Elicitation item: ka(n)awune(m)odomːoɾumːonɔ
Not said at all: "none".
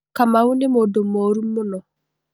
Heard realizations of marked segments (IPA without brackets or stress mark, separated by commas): m, m